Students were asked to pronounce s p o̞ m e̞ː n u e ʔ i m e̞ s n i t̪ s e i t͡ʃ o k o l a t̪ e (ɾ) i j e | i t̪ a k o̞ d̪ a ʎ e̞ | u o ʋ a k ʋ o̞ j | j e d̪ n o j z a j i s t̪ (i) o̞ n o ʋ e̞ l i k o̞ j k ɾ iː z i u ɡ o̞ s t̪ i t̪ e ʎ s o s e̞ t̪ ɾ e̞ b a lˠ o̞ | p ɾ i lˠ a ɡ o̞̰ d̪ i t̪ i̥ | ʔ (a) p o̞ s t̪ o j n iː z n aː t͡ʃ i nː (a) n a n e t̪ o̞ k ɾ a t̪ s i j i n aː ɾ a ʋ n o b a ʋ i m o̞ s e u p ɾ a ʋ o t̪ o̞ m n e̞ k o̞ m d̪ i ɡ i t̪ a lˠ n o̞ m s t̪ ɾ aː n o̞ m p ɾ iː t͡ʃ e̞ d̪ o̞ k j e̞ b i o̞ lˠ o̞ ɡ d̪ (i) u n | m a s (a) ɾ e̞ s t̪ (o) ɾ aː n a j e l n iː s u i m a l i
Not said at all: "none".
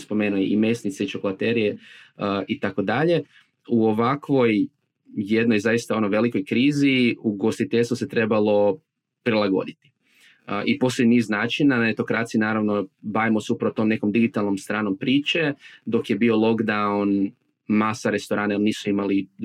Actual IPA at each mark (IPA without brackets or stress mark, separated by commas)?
ɾ, a, i, a, a, a, o